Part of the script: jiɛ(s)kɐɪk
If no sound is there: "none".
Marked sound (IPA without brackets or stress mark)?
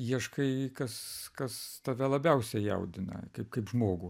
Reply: ʃ